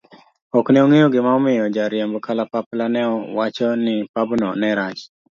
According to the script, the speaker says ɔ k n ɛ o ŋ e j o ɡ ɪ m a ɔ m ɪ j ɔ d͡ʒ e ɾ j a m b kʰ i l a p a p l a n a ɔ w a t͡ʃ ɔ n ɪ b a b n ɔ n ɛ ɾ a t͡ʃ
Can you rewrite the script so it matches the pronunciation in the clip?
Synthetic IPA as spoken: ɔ k n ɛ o ŋ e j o ɡ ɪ m a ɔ m ɪ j ɔ d͡ʒ a ɾ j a m b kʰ a l a p a p l a n ɛ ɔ w a t͡ʃ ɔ n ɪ p a b n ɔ n ɛ ɾ a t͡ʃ